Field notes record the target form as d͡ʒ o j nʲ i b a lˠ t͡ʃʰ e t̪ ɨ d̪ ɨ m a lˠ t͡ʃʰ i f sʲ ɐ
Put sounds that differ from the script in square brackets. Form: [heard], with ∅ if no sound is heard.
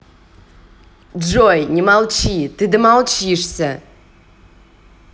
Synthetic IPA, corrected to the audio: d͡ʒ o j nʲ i [m] a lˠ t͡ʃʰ [i] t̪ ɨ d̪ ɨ m a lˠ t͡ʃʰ i [ʂ] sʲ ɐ